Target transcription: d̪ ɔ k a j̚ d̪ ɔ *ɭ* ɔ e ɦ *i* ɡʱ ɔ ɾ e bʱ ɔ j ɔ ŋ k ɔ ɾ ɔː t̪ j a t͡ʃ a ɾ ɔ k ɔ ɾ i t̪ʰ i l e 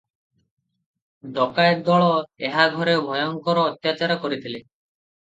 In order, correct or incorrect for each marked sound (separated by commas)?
correct, incorrect